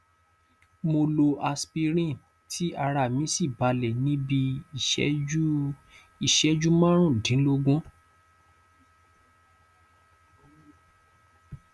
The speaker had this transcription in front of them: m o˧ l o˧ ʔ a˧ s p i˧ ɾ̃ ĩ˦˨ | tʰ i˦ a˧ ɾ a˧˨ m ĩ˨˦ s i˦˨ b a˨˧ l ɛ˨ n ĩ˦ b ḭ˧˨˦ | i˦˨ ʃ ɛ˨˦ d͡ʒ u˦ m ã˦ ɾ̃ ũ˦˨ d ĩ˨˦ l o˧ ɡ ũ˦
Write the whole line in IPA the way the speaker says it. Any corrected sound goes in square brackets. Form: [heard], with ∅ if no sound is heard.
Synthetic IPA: m o˧ l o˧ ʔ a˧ s p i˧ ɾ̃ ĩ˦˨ | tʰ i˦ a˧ ɾ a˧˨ m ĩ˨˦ s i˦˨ b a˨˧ l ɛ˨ n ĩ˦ b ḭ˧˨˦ | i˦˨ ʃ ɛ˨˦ d͡ʒ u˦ m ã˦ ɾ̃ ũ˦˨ d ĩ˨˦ l o˧ ɡ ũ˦